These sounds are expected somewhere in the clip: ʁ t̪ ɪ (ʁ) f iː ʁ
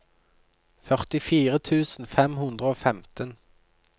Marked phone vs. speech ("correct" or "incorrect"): incorrect